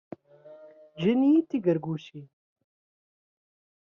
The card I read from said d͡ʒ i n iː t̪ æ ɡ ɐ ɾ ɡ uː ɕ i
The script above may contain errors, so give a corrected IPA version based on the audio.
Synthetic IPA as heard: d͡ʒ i n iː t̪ i ɡ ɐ ɾ ɡ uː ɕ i